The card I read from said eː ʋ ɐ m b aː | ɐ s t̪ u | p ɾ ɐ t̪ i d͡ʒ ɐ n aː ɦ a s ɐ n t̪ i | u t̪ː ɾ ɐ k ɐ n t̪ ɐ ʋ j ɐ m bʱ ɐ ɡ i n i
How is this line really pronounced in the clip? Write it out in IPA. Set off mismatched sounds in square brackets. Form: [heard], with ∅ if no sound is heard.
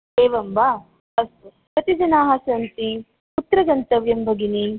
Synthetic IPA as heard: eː ʋ ɐ m b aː | ɐ s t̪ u | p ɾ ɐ t̪ i d͡ʒ ɐ n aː ɦ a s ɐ n t̪ i | u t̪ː ɾ ɐ [ɡ] ɐ n t̪ ɐ ʋ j ɐ m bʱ ɐ ɡ i n i